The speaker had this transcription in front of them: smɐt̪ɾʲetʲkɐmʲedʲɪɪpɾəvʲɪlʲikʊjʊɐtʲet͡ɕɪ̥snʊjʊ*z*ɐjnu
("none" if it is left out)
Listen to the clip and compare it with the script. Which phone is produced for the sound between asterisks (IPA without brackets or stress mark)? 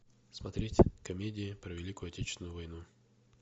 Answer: v